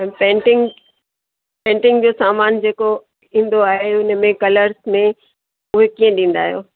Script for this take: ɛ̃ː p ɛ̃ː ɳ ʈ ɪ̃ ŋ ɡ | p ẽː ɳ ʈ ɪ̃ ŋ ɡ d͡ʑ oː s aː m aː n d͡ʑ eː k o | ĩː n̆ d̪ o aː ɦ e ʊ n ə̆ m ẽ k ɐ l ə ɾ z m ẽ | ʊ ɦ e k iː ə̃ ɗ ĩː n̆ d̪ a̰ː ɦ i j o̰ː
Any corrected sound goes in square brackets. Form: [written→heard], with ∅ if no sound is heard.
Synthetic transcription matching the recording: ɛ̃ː p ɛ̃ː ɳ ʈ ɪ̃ ŋ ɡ | p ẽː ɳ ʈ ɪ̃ ŋ ɡ d͡ʑ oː s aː m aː n d͡ʑ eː k o | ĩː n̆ d̪ o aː ɦ e ʊ n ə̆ m ẽ k ɐ l ə ɾ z m ẽ | ʊ ɦ e k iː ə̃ ɗ ĩː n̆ d̪ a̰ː ɦ i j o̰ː